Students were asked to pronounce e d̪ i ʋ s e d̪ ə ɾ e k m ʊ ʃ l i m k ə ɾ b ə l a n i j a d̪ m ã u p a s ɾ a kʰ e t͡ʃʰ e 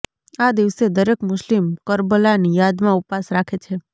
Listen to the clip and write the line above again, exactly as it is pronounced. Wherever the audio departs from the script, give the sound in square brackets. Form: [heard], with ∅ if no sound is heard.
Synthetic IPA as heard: [a] d̪ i ʋ s e d̪ ə ɾ e k m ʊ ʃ l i m k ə ɾ b ə l a n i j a d̪ m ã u p a s ɾ a kʰ e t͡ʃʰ e